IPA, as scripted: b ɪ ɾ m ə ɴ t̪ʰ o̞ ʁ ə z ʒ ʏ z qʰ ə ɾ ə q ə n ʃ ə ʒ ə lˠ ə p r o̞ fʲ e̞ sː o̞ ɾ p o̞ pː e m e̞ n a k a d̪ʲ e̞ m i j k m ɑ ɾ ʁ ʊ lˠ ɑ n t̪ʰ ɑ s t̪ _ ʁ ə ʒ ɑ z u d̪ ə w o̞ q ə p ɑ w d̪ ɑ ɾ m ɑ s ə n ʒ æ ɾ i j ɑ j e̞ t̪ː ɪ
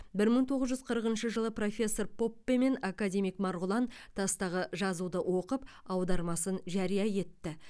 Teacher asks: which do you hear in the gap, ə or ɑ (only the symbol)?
ɑ